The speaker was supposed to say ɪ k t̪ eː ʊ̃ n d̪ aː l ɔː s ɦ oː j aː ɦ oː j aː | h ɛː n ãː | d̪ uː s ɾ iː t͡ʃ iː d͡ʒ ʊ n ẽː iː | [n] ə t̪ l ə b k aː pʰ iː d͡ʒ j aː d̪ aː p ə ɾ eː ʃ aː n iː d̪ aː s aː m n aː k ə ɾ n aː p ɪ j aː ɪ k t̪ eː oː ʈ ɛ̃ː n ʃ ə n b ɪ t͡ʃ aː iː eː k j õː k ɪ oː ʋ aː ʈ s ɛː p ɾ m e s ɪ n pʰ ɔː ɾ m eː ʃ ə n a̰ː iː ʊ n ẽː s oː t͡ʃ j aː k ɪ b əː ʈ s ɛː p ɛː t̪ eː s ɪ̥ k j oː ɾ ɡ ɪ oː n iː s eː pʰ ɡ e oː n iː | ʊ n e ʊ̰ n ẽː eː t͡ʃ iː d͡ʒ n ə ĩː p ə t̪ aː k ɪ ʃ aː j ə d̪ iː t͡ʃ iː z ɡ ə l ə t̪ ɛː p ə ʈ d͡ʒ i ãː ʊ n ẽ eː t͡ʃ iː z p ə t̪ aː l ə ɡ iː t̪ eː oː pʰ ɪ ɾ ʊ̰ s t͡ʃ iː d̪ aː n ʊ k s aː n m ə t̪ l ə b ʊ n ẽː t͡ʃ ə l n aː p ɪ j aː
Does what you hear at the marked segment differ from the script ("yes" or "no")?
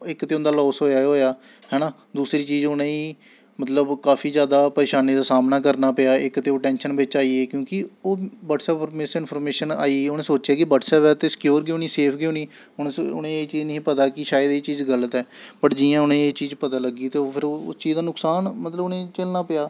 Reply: yes